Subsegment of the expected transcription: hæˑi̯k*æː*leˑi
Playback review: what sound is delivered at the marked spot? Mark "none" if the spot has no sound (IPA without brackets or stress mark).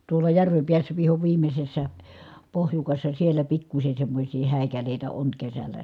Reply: æ